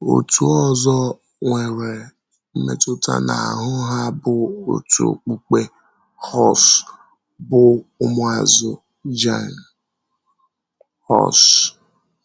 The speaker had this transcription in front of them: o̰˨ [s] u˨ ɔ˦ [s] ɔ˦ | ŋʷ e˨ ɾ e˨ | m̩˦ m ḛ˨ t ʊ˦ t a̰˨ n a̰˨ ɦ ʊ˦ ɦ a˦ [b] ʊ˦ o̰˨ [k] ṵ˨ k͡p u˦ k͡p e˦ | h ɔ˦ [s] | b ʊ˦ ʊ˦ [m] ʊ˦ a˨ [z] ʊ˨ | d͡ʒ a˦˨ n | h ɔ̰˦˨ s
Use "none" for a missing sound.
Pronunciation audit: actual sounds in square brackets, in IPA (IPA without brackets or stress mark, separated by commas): t, z, b, t, s, m, z